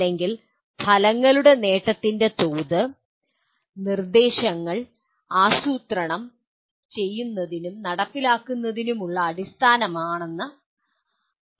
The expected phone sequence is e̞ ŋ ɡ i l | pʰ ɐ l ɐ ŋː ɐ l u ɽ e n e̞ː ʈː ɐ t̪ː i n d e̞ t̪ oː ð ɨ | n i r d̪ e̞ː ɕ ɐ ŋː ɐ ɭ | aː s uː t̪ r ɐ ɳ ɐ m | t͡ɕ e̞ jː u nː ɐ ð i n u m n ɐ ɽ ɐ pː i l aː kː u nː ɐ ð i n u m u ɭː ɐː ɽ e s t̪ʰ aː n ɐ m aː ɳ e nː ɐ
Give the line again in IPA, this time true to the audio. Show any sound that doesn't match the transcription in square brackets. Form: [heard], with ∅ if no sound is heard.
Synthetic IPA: e̞ ŋ ɡ i l | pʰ ɐ l ɐ ŋː ɐ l u ɽ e n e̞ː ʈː ɐ t̪ː i n d e̞ t̪ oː ð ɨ | n i r d̪ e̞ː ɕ ɐ ŋː ɐ ɭ | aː s uː t̪ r ɐ ɳ ɐ m | t͡ɕ e̞ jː u nː ɐ ð i n u m n ɐ ɽ ɐ pː i l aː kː u nː ɐ ð i n u m u ɭː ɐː ɽ [i] s t̪ʰ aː n ɐ m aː ɳ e nː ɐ

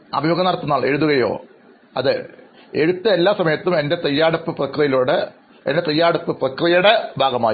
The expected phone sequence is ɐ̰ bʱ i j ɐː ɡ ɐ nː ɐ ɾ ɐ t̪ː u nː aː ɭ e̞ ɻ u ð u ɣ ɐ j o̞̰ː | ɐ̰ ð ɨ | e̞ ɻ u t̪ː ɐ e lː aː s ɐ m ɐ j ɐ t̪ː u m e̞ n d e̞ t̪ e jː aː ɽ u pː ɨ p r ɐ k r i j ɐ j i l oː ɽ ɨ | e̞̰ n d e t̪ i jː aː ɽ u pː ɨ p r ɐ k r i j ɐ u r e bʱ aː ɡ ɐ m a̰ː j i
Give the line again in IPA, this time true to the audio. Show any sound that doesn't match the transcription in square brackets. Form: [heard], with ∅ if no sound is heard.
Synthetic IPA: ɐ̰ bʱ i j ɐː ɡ ɐ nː ɐ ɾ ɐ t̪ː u nː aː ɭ e̞ ɻ u ð u ɣ ɐ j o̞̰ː | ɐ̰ ð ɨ | e̞ ɻ u t̪ː ɐ e lː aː s ɐ m ɐ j ɐ t̪ː u m e̞ n d e̞ t̪ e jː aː ɽ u pː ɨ p r ɐ k r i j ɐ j i l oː ɽ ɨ | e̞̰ n d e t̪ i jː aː ɽ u pː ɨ p r ɐ k r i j ɐ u [ɽ] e bʱ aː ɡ ɐ m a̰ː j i

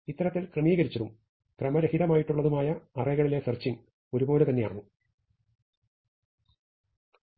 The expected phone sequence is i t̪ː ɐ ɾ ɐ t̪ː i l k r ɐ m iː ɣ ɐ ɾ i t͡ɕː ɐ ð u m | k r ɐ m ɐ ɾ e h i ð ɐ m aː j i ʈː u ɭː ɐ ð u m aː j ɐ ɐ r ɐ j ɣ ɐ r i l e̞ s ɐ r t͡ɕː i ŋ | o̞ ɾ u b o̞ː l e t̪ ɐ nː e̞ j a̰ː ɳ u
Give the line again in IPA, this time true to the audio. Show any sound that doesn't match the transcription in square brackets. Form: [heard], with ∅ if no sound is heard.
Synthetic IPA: i t̪ː ɐ ɾ ɐ t̪ː i l k r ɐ m iː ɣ ɐ ɾ i t͡ɕː ɐ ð u m | k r ɐ m ɐ ɾ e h i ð ɐ m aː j i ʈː u ɭː ɐ ð u m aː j ɐ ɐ r ɐ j ɣ ɐ [ɭ] i l e̞ s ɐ r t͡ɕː i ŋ | o̞ ɾ u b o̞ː l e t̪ ɐ nː e̞ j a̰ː ɳ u

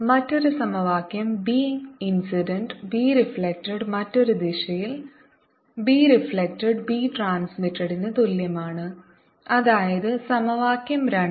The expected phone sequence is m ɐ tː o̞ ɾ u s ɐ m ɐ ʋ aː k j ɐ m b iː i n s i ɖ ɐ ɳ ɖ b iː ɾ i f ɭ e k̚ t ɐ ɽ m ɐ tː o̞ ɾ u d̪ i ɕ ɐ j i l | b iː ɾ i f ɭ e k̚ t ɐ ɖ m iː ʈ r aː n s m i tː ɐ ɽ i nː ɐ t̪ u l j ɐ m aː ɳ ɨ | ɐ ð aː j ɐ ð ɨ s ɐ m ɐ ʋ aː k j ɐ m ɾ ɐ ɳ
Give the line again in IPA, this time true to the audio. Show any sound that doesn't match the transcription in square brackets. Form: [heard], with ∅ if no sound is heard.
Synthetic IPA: m ɐ tː o̞ ɾ u s ɐ m ɐ ʋ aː k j ɐ m b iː i n s i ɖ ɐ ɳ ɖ b iː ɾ i f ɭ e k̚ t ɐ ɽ m ɐ tː o̞ ɾ u d̪ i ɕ ɐ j i l | b iː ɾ i f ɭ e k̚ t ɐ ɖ [b] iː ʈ r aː n s m i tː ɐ ɽ i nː ɐ t̪ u l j ɐ m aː ɳ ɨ | ɐ ð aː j ɐ ð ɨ s ɐ m ɐ ʋ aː k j ɐ m ɾ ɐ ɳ

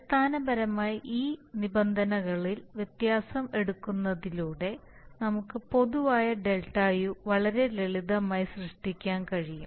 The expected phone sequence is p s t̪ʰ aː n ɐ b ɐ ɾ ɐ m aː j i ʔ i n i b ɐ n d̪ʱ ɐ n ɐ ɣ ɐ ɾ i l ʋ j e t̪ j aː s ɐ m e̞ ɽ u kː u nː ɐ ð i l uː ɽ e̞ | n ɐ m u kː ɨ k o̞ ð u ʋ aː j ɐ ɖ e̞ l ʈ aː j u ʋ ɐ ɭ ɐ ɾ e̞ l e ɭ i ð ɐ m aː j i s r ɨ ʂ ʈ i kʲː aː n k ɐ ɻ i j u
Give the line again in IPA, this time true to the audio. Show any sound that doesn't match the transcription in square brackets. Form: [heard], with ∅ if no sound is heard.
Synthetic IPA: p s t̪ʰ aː n ɐ b ɐ ɾ ɐ m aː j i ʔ [iː] n i b ɐ n d̪ʱ ɐ n ɐ ɣ ɐ [ɭ] i l ʋ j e t̪ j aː s ɐ m e̞ ɽ u kː u nː ɐ ð i l uː ɽ e̞ | n ɐ m u kː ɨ [p] o̞ ð u ʋ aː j ɐ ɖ e̞ l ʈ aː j u ʋ ɐ ɭ ɐ ɾ e̞ l e ɭ i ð ɐ m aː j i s r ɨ ʂ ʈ i kʲː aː n k ɐ ɻ i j u

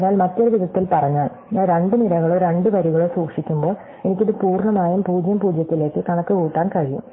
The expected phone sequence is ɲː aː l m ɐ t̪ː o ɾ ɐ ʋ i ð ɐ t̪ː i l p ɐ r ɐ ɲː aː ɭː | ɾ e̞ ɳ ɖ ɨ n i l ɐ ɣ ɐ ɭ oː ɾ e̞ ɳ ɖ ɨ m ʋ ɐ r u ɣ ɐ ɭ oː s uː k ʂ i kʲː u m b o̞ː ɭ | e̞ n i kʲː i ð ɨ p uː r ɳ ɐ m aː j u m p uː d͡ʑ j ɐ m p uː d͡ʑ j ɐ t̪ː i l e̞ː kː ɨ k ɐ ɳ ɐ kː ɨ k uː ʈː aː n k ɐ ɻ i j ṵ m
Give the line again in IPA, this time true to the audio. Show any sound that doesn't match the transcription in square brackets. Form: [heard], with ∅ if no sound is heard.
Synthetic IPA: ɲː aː l m ɐ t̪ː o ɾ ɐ ʋ i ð ɐ t̪ː i l p ɐ r ɐ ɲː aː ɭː | ɾ e̞ ɳ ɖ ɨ n i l ɐ ɣ ɐ ɭ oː ɾ e̞ ɳ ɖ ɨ [∅] ʋ ɐ [ɾ] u ɣ ɐ ɭ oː s uː k ʂ i kʲː u m b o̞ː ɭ | e̞ n i kʲː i ð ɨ p uː r ɳ ɐ m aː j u m p uː d͡ʑ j ɐ m p uː d͡ʑ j ɐ t̪ː i l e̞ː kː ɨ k ɐ ɳ ɐ kː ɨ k uː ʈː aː n k ɐ ɻ i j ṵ m

